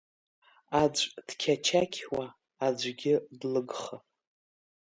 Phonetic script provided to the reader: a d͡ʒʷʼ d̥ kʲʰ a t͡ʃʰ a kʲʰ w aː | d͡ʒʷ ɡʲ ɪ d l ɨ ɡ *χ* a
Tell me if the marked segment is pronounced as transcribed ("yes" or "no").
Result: yes